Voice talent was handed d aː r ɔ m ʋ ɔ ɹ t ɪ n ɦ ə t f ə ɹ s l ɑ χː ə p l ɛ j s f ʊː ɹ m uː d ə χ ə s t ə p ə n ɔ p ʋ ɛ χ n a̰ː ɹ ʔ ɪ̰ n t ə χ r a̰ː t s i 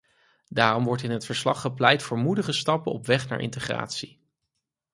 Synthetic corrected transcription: d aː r ɔ m ʋ ɔ ɹ t ɪ n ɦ ə t f ə ɹ s l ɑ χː ə p l ɛ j t f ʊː ɹ m u d ə χ ə s t ɑ p ə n ɔ p ʋ ɛ χ n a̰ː ɹ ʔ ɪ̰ n t ə χ r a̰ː t s i